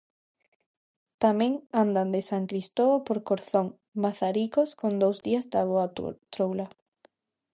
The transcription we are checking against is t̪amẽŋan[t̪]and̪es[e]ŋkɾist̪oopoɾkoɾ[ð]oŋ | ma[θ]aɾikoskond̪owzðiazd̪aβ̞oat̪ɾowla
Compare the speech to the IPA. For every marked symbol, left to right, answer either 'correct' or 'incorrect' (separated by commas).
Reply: incorrect, incorrect, incorrect, correct